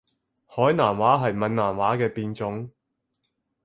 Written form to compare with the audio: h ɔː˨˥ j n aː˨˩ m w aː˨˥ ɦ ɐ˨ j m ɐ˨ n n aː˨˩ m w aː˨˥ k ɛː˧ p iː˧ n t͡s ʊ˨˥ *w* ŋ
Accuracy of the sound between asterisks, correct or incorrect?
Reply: incorrect